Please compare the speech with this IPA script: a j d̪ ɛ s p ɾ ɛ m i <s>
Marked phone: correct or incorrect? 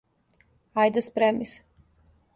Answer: correct